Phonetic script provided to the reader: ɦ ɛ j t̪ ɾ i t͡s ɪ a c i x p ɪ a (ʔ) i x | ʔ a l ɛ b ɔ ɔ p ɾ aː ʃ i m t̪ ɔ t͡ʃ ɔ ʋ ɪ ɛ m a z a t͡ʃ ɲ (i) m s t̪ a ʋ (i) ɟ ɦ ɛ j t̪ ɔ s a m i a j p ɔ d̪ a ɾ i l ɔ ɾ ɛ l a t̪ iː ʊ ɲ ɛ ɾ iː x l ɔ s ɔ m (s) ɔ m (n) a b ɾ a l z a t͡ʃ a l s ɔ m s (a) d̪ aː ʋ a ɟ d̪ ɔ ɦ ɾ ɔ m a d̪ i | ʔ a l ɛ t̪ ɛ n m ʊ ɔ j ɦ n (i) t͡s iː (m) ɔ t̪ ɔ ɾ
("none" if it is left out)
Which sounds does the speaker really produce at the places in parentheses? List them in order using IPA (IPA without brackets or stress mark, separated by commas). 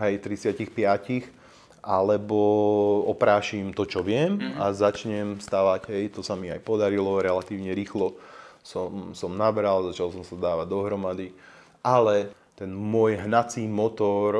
c, ɛ, a, s, n, a, a, m